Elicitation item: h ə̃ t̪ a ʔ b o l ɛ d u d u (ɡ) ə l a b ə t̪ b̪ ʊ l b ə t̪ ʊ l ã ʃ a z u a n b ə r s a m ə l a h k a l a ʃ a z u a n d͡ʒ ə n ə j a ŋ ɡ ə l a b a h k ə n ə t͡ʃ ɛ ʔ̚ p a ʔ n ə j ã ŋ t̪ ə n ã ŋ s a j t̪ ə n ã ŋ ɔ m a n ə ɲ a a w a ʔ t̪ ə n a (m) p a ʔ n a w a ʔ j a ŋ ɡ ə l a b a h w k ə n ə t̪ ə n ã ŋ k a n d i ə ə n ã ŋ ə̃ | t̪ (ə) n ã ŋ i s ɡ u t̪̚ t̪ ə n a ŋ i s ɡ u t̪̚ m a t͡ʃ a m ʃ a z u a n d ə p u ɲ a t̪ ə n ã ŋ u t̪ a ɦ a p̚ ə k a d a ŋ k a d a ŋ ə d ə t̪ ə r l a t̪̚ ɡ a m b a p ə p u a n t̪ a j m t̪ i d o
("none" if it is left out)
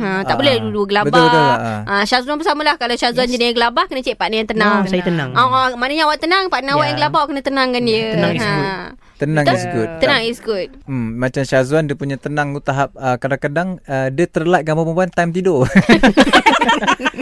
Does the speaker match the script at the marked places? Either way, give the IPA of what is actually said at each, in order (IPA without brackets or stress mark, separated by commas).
ɡ, ŋ, ə